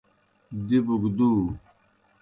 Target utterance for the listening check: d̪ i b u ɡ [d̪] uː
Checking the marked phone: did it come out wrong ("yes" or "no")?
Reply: no